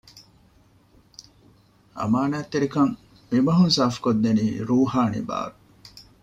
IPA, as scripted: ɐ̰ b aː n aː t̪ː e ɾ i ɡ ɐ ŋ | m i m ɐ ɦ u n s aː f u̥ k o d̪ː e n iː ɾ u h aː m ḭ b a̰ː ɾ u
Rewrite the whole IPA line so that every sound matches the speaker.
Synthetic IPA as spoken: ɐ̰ m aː n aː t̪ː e ɾ i k ɐ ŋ | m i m ɐ ɦ u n s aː f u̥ k o d̪ː e n iː ɾ uː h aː n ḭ b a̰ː ɾ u